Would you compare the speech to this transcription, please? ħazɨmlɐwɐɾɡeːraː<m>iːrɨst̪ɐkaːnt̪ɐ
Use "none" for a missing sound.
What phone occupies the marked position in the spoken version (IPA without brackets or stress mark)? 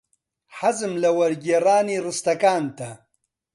n